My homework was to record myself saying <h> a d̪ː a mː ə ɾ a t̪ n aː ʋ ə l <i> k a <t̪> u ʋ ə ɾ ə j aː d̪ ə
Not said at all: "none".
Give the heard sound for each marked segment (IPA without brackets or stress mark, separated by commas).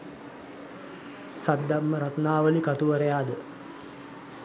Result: s, i, t̪